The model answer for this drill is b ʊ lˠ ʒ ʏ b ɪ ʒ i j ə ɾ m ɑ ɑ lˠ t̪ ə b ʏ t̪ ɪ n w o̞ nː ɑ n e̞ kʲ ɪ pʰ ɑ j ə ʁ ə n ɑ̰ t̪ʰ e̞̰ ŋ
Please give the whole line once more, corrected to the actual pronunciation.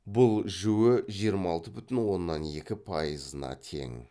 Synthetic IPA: b ʊ lˠ ʒ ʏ w ɪ ʒ i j ə ɾ m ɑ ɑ lˠ t̪ ə b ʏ t̪ ɪ n w o̞ nː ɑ n e̞ kʲ ɪ pʰ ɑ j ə z ə n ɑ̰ t̪ʰ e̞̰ ŋ